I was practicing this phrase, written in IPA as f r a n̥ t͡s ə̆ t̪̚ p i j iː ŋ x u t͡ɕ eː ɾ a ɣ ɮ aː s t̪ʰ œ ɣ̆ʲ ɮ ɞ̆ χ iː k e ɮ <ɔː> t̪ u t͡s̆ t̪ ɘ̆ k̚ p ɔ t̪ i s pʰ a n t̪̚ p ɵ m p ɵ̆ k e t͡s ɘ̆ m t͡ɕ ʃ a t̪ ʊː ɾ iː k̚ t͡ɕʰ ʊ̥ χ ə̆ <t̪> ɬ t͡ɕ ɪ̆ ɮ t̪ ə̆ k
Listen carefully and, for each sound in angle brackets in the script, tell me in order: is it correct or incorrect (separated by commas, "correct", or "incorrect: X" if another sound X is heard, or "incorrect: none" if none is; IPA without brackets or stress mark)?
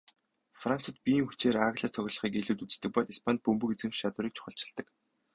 incorrect: uː, incorrect: none